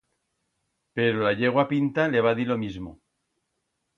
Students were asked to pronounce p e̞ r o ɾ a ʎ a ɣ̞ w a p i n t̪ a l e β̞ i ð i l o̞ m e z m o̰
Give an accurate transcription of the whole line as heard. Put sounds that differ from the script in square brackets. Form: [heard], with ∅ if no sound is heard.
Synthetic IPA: p e̞ [ɾ] o [l] a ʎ [e] ɣ̞ w a p i n t̪ a l e β̞ [a] ð i l o̞ m [i] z m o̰